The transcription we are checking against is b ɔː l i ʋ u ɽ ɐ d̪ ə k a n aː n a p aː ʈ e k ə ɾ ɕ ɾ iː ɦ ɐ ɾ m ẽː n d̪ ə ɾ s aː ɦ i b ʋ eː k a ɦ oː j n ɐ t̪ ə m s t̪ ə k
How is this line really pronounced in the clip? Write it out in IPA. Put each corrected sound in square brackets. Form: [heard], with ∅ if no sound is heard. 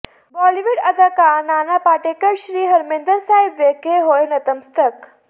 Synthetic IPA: b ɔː l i ʋ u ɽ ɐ d̪ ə k a n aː n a p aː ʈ e k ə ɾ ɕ ɾ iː ɦ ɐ ɾ m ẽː n d̪ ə ɾ s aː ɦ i b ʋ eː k [e] ɦ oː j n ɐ t̪ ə m s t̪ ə k